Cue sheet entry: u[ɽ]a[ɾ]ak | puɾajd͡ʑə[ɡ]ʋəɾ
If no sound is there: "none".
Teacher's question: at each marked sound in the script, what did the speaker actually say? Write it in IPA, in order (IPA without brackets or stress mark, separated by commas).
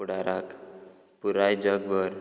ɽ, ɾ, ɡ